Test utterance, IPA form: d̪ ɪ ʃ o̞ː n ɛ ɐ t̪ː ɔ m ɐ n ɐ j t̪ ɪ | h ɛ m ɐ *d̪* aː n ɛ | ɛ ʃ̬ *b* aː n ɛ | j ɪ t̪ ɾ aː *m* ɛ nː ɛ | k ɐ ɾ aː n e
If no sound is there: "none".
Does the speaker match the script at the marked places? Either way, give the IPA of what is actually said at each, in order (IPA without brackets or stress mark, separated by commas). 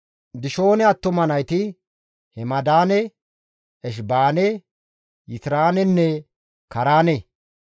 d̪, b, n